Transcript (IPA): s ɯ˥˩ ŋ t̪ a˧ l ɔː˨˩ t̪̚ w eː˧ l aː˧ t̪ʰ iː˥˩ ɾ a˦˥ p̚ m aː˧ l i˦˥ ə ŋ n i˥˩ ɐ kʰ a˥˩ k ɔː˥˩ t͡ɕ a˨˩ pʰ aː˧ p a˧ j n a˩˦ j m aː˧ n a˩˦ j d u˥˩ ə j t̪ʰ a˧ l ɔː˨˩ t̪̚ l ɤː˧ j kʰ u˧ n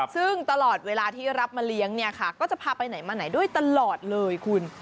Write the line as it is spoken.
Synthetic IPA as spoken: s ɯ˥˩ ŋ t̪ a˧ l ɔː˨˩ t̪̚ w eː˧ l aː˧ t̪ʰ iː˥˩ ɾ a˦˥ p̚ m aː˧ l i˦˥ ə ŋ n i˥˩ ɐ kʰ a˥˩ k ɔː˥˩ t͡ɕ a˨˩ pʰ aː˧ p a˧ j n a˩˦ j m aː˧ n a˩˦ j d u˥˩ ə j t̪ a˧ l ɔː˨˩ t̪̚ l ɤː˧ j kʰ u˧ n